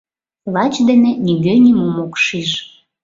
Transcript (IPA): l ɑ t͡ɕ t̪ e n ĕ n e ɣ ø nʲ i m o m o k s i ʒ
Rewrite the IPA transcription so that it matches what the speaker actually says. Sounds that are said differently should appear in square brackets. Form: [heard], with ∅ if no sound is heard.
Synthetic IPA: l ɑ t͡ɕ [d̪] e n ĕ n [i] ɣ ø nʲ i m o m o k [ʃ] i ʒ